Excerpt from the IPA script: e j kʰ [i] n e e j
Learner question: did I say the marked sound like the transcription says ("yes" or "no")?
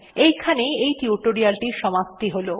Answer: no